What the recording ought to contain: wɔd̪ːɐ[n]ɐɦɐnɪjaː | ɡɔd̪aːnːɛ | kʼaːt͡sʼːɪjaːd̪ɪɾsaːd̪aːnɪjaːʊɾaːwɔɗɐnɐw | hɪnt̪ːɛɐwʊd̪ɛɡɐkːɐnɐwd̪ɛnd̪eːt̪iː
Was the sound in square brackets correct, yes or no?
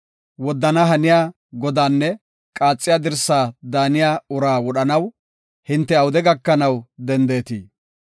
yes